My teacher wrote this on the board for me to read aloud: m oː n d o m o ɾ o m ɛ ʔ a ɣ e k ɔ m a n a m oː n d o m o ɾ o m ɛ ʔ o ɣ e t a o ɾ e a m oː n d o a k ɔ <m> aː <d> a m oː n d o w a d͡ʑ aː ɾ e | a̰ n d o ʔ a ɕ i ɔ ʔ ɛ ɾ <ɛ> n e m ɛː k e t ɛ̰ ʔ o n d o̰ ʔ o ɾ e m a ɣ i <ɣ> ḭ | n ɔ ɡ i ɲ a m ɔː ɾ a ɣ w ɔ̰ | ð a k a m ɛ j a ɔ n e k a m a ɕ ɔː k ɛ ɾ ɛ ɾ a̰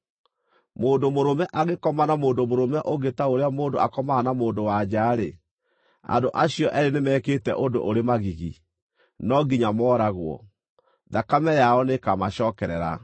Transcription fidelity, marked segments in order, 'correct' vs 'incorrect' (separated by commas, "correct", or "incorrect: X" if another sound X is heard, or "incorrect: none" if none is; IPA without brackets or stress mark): correct, incorrect: n, incorrect: e, correct